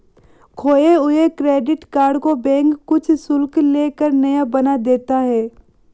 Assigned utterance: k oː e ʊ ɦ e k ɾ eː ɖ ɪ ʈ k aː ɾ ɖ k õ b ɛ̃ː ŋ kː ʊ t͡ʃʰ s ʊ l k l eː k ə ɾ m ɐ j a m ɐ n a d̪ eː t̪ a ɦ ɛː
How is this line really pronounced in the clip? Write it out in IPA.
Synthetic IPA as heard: kʰ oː e ʊ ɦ e k ɾ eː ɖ ɪ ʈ k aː ɾ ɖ k o b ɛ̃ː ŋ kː ʊ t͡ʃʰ s ʊ l k l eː k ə ɾ n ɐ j a b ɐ n a d̪ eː t̪ a ɦ ɛː